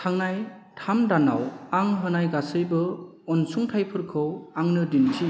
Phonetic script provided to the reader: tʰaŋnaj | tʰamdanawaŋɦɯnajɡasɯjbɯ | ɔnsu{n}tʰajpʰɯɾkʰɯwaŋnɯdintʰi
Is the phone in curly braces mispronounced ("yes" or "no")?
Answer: yes